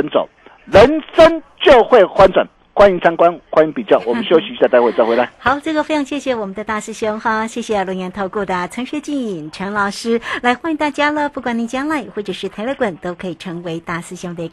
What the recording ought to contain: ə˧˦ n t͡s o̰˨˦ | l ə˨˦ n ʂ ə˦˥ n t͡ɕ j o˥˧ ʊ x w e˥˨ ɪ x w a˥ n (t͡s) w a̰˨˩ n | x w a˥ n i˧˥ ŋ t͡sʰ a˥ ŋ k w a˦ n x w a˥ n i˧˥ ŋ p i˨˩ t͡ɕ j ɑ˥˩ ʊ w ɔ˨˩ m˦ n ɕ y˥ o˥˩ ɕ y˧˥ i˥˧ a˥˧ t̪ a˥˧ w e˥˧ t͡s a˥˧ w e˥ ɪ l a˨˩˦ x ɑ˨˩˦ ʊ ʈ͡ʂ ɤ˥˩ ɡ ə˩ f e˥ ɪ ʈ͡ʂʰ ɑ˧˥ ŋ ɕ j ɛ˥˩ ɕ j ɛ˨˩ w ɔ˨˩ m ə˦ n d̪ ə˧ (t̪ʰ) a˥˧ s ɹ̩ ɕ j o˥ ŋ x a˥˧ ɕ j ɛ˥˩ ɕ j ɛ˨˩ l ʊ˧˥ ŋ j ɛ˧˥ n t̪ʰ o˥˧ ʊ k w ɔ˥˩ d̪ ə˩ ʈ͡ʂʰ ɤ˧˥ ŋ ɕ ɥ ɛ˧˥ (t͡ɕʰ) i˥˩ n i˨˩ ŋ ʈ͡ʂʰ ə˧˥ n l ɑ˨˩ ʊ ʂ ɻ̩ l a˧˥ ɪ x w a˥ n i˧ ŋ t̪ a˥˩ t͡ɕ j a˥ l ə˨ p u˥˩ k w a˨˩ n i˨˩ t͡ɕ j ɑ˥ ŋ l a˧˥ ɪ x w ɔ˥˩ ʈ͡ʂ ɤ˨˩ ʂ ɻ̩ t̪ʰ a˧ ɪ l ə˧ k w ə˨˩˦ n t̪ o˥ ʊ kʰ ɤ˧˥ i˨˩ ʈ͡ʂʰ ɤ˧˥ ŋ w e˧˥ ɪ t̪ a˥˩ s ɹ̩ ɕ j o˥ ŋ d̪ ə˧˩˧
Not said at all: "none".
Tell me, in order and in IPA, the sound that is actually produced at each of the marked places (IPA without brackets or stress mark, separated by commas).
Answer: t͡s, t̪, t͡ɕ